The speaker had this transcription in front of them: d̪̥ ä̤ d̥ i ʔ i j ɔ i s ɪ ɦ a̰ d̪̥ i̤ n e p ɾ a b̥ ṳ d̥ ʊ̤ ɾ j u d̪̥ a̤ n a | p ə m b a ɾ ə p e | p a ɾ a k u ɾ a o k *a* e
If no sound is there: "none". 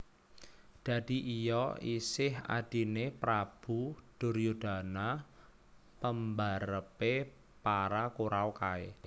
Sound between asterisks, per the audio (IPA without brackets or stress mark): a